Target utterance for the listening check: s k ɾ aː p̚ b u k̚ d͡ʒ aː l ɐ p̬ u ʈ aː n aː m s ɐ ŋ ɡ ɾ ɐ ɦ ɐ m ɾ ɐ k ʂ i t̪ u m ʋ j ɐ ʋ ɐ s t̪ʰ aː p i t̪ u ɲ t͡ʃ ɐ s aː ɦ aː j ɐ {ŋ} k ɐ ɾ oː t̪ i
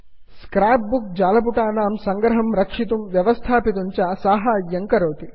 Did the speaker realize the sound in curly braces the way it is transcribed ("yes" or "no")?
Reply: yes